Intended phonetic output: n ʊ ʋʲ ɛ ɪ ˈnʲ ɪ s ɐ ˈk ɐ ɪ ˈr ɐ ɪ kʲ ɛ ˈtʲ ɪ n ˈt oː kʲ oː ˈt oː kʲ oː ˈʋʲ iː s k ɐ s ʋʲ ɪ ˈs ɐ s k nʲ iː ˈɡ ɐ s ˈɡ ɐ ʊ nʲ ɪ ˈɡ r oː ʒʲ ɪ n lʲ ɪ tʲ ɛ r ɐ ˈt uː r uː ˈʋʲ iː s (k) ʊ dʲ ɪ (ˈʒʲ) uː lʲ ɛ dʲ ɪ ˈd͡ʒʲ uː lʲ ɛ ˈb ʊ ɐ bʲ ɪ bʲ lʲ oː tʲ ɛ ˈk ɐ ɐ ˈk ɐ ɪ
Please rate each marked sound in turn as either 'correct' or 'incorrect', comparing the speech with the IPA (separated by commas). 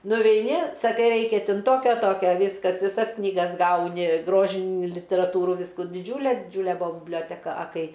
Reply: correct, incorrect